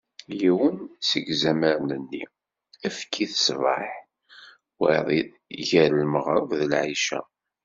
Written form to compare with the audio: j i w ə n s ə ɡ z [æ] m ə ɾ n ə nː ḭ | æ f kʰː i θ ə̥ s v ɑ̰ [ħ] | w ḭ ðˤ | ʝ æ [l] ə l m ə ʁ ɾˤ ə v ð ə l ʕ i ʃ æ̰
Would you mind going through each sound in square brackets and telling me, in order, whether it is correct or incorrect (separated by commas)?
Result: correct, correct, incorrect